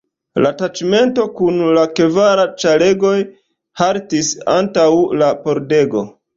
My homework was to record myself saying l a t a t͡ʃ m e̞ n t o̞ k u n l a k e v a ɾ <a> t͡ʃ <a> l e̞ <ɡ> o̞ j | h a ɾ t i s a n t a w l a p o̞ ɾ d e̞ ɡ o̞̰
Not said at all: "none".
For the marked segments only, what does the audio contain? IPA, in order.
a, a, ɡ

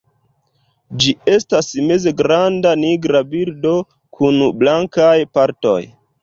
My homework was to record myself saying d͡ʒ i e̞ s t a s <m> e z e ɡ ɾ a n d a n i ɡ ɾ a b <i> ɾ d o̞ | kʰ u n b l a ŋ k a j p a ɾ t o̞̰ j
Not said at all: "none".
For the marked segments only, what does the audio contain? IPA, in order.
m, i

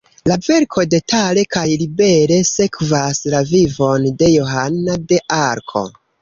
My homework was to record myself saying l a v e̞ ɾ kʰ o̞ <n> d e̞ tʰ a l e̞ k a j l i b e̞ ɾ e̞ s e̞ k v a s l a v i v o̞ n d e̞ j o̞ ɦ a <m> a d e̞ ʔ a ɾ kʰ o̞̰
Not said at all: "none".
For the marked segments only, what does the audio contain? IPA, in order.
none, n

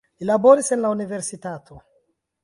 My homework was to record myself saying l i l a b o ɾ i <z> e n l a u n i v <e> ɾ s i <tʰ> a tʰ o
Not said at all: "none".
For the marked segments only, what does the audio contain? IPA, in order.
s, e, t

